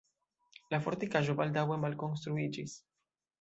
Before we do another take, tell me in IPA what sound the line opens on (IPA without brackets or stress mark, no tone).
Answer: l